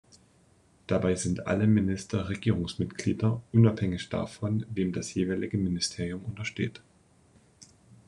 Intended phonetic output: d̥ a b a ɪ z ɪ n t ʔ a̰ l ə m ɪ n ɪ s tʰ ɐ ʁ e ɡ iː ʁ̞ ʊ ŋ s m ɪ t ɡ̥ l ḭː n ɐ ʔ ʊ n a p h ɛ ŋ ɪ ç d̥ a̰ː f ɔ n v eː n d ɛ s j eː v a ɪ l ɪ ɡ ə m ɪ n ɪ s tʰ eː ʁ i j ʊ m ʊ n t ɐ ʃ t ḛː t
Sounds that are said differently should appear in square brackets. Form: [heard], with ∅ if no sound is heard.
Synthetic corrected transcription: d̥ a b a ɪ z ɪ n t ʔ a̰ l ə m ɪ n ɪ s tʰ ɐ ʁ e ɡ iː ʁ̞ ʊ ŋ s m ɪ t ɡ̥ l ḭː [d] ɐ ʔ ʊ n a p h ɛ ŋ ɪ ç d̥ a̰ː f ɔ n v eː [m] d [a] s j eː v a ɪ l ɪ ɡ ə m ɪ n ɪ s tʰ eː ʁ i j ʊ m ʊ n t ɐ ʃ t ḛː t